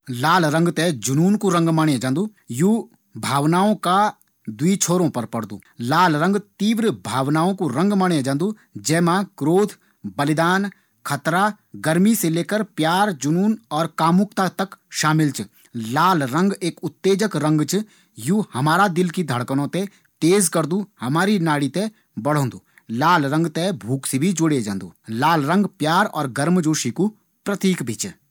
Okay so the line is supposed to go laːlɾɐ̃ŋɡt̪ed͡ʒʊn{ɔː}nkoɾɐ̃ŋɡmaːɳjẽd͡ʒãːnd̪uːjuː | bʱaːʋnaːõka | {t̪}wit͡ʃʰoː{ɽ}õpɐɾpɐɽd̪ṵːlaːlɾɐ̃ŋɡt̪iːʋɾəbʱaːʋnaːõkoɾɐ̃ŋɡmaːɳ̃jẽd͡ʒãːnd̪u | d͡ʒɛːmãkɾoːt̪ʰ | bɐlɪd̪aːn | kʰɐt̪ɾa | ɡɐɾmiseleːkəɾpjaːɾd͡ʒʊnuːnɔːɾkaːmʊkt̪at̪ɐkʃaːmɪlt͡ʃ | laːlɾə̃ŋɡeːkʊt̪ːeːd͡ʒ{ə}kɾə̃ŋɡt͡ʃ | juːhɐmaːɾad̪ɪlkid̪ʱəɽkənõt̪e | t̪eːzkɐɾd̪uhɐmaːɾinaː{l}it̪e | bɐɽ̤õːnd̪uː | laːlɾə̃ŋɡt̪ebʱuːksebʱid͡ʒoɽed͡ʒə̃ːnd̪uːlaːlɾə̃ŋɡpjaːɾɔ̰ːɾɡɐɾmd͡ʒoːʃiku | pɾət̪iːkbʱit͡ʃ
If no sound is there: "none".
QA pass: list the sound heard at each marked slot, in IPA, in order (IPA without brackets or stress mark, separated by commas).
uː, d̪, ɾ, ə, ɽ